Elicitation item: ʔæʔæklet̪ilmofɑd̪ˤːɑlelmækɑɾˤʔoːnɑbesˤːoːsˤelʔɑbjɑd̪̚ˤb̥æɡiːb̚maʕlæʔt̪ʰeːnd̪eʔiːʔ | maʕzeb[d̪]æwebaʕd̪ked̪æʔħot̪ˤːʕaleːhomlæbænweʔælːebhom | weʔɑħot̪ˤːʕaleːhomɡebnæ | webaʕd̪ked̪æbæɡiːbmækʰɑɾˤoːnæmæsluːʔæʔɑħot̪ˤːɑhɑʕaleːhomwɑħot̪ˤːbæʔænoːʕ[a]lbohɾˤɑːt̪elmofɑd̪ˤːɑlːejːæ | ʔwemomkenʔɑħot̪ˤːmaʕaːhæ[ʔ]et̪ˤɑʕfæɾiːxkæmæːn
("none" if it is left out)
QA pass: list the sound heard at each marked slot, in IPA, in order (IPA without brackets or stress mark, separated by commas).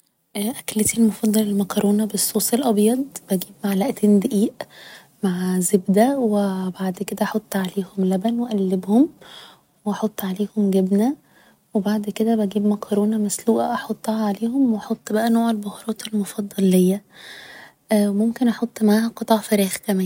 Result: d̪, e, q